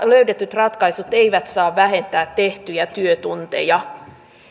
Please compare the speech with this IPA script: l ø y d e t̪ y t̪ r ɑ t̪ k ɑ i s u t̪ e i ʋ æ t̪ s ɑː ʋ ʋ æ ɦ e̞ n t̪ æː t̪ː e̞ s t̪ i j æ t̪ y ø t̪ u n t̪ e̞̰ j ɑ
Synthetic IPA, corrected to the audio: l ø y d e t̪ y t̪ r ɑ t̪ k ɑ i s u t̪ e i ʋ æ t̪ s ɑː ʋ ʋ æ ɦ e̞ n t̪ æː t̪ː e̞ h t̪ y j æ t̪ y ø t̪ u n t̪ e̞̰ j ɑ